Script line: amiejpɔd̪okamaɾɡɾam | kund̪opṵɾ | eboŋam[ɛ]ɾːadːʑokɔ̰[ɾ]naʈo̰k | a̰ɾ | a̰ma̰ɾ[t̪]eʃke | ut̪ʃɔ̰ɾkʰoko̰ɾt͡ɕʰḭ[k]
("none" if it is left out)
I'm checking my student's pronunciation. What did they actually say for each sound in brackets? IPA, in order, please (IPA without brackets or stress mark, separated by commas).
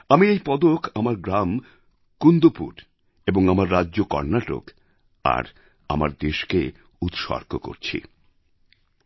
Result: a, ɾ, d̪, none